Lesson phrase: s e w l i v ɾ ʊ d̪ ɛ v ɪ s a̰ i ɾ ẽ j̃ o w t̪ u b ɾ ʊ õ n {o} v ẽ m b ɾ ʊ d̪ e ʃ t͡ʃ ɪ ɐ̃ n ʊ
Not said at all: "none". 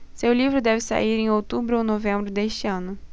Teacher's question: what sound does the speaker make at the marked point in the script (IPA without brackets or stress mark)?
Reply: o